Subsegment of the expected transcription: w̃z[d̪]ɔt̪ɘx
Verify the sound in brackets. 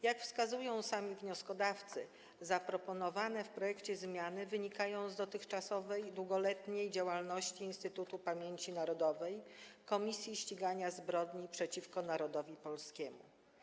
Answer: correct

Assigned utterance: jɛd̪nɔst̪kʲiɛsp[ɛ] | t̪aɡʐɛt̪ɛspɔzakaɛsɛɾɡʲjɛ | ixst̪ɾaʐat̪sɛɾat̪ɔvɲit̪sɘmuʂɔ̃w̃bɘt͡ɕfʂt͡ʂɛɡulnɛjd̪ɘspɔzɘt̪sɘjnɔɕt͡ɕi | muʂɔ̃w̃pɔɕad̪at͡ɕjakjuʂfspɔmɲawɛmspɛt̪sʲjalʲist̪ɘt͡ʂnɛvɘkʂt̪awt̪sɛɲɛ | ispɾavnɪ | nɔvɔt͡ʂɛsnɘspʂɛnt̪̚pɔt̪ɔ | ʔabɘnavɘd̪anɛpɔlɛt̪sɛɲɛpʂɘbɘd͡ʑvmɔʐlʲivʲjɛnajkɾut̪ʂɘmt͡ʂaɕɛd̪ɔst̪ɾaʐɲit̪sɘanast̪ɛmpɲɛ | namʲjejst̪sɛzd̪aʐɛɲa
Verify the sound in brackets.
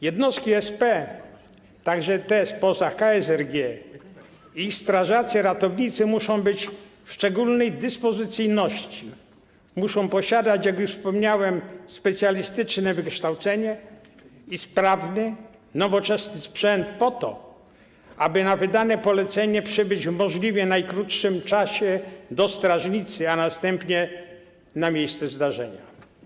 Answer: correct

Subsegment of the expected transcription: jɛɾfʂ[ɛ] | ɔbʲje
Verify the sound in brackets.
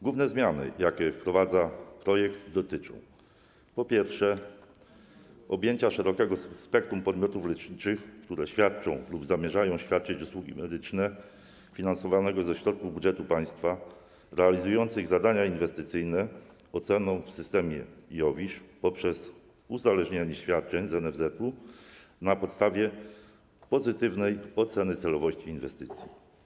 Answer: correct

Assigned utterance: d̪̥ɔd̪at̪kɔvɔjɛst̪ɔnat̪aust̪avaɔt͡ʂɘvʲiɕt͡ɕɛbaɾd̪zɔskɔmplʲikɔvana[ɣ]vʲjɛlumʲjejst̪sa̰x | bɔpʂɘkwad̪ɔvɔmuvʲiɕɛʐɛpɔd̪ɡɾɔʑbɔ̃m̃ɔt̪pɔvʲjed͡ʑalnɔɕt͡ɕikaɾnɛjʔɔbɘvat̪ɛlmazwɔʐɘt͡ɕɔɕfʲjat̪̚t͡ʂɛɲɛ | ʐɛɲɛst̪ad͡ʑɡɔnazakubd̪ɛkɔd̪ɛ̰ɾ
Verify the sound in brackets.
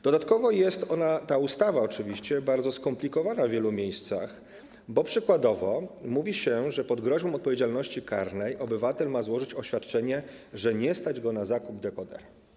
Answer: incorrect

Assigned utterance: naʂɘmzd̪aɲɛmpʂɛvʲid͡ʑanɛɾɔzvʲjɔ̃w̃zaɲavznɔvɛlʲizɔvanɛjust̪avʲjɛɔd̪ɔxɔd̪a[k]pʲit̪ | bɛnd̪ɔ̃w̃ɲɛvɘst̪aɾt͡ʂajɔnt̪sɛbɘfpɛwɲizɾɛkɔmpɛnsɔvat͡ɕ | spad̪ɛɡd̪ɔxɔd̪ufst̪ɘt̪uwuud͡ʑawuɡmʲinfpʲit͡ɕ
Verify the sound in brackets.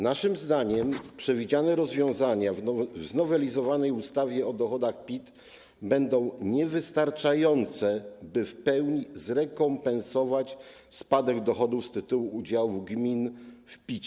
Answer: incorrect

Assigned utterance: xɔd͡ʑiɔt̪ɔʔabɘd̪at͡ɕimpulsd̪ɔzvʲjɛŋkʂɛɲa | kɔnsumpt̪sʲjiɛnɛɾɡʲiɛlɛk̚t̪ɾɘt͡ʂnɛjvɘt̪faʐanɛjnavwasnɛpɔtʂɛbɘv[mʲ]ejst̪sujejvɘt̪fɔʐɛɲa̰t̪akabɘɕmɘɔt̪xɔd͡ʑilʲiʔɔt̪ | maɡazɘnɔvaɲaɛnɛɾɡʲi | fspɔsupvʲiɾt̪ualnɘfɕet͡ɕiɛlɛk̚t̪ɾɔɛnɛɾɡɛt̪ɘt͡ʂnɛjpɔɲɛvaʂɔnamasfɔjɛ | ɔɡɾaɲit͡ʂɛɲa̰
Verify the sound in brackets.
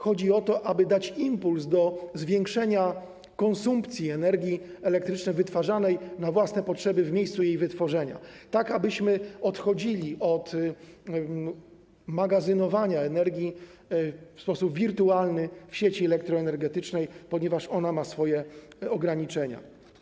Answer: correct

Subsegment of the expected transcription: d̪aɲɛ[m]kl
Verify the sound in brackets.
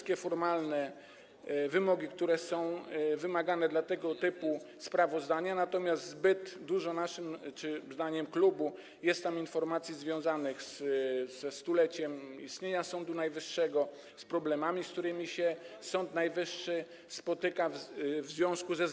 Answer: correct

